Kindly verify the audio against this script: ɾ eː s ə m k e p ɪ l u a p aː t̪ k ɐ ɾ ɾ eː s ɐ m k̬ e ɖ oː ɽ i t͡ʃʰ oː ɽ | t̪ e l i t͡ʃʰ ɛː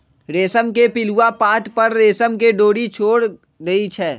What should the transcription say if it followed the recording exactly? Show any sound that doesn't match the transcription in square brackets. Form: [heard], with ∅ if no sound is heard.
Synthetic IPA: ɾ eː s ə m k e p ɪ l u a p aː t̪ [p] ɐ ɾ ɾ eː s [ə] m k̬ e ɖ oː ɽ i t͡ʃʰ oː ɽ | [d̪] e [∅] i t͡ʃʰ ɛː